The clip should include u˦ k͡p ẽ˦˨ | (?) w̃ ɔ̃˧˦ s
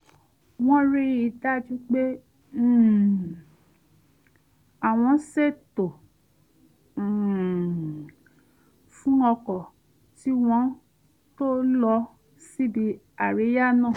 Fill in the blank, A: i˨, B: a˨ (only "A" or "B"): B